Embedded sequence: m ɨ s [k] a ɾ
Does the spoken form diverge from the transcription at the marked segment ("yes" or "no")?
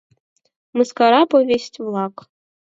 no